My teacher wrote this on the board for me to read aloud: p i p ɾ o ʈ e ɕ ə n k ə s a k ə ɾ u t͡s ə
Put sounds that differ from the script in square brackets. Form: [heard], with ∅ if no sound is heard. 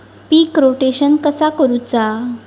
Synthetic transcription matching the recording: p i [k] ɾ o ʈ e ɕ ə n k ə s a k ə ɾ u t͡s [a]